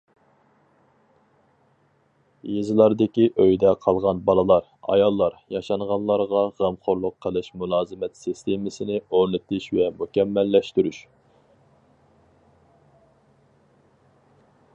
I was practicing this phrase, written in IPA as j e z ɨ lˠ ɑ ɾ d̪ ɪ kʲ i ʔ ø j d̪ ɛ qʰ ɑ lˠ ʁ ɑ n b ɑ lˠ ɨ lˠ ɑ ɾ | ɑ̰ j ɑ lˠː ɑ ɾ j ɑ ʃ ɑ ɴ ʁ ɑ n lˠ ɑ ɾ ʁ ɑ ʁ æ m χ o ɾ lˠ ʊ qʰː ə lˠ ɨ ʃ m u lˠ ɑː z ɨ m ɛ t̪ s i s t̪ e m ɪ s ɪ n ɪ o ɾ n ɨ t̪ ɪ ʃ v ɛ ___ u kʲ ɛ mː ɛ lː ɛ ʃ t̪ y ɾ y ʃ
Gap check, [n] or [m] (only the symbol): m